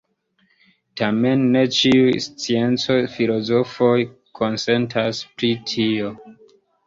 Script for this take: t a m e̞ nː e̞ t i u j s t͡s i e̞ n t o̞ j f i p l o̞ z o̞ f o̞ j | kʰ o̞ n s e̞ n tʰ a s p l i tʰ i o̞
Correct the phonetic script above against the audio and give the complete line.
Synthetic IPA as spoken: t a m e̞ nː e̞ t͡ʃ i u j s t͡s i e̞ n t͡s o̞ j f i l o̞ z o̞ f o̞ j | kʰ o̞ n s e̞ n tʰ a s p ɾ i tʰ i o̞